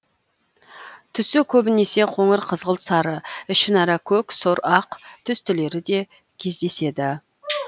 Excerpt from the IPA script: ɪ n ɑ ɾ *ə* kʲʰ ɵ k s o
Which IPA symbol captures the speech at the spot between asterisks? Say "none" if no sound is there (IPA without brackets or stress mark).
ɑ